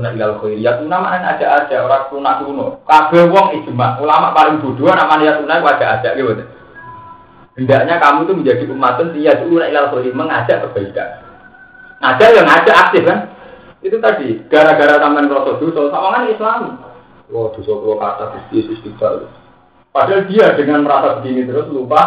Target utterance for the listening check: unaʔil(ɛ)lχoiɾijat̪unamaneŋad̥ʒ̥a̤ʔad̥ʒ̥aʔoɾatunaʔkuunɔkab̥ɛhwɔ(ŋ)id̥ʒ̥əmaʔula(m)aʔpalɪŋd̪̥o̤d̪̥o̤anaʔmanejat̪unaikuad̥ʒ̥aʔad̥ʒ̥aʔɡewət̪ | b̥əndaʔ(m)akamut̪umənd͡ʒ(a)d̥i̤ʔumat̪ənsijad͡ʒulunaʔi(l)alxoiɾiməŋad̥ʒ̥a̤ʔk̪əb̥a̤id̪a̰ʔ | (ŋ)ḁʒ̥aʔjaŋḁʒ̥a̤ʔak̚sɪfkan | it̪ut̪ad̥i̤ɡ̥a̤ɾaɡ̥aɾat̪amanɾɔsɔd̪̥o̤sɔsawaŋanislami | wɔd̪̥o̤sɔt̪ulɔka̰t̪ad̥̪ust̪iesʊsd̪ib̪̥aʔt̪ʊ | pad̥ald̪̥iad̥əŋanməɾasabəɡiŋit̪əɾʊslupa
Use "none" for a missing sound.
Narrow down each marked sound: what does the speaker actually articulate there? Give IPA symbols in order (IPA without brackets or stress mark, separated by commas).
a, ŋ, m, ɲ, a, l, ŋ